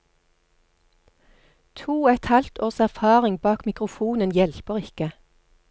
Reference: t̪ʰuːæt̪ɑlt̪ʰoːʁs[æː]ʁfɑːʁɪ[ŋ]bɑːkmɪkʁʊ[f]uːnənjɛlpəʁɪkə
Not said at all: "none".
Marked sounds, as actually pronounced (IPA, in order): æ, ŋ, f

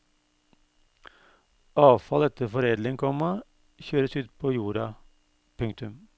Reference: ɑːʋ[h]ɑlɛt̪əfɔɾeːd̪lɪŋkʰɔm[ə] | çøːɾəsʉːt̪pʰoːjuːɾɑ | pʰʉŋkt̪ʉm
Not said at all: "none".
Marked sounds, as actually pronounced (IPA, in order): f, ɑ

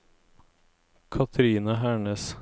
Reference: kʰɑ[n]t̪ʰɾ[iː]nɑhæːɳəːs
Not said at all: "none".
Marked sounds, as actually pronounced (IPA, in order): none, iː

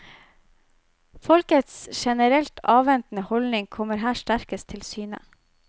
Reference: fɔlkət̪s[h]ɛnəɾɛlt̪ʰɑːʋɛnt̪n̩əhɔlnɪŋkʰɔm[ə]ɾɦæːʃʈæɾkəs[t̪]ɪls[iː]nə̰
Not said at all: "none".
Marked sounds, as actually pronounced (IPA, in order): ʃ, ə, t̪ʰ, yː

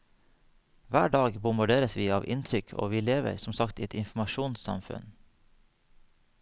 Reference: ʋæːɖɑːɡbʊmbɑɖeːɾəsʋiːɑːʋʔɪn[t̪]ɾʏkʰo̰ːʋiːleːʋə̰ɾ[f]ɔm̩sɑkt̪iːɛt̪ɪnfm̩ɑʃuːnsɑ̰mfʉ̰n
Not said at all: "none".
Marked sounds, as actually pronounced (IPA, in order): t̪ʰ, s

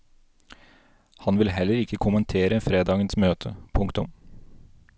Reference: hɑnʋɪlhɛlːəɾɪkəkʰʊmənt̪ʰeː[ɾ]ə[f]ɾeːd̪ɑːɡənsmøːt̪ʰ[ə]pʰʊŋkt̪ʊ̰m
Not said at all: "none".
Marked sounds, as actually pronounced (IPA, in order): ɾ, f, ə

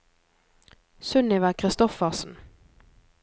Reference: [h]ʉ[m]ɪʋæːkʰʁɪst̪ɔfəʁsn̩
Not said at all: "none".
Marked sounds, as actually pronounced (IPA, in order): s, n

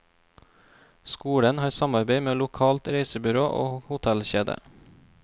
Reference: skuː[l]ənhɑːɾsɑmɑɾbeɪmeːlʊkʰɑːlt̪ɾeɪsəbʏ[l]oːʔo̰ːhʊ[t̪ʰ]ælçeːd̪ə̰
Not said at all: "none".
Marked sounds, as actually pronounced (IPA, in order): ɽ, ɾ, t̪ʰ

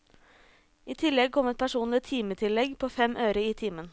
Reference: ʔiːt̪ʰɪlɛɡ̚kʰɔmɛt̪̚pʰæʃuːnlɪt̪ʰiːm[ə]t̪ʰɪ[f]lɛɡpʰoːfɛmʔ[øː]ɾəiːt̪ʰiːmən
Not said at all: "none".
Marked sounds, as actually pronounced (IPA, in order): ə, none, øː

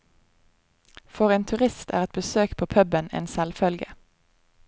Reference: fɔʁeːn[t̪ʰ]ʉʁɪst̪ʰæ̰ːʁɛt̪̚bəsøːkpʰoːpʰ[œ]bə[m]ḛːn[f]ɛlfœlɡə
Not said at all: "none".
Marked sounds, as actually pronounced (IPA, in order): t̪ʰ, œ, n, s

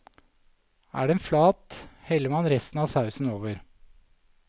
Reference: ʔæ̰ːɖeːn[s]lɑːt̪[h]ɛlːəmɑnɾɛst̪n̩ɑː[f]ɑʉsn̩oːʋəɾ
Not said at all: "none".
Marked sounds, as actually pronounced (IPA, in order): f, h, s

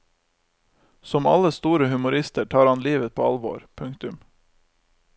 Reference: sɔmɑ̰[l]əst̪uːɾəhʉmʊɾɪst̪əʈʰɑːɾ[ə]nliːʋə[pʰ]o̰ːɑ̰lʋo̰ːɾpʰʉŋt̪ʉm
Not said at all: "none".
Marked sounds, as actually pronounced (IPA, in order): l, ɑ, pʰ

